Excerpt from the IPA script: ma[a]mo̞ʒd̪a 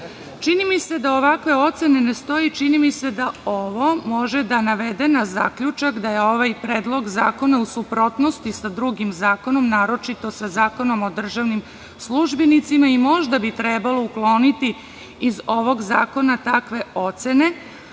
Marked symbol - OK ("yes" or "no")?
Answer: no